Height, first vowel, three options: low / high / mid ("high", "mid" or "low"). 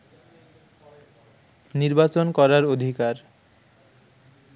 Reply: high